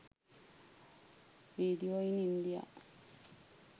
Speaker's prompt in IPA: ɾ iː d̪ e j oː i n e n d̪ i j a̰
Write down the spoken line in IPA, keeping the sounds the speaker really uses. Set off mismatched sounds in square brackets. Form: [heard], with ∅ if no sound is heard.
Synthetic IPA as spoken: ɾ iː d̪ [i] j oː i n [i] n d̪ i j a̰